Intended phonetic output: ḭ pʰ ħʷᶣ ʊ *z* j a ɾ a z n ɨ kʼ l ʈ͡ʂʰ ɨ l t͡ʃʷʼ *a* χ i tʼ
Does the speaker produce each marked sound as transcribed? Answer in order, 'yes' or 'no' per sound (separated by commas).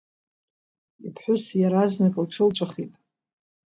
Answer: no, yes